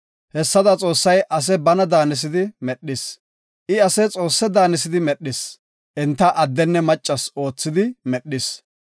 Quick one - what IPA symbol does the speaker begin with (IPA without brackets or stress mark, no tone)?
h